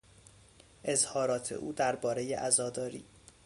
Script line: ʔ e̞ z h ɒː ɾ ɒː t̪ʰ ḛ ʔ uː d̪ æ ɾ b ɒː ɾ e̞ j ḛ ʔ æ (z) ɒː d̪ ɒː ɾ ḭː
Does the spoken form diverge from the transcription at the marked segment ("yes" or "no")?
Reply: no